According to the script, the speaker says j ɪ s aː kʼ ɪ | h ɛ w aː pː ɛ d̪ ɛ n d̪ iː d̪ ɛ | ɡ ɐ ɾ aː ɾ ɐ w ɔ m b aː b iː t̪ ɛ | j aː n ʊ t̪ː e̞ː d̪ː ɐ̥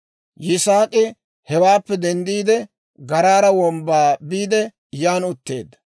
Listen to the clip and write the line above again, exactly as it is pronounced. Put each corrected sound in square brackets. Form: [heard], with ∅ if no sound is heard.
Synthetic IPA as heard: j ɪ s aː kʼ ɪ | h ɛ w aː pː ɛ d̪ ɛ n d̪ iː d̪ ɛ | ɡ ɐ ɾ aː ɾ ɐ w ɔ m b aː b iː [d̪] ɛ | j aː n ʊ t̪ː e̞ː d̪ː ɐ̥